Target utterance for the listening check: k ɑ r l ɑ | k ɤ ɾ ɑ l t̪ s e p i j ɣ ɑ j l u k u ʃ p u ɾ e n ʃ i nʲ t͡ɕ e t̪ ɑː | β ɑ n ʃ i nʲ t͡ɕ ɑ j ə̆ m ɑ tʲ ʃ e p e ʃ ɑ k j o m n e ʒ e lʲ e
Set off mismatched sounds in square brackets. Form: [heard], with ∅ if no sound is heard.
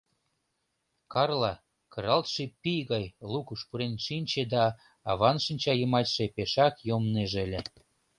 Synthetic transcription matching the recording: k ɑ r l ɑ | k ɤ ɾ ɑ l t̪ [ʃ] e p i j ɣ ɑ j l u k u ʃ p u ɾ e n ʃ i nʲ t͡ɕ e [d̪] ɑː | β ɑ n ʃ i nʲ t͡ɕ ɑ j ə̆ m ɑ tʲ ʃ e p e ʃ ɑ k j o m n e ʒ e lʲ e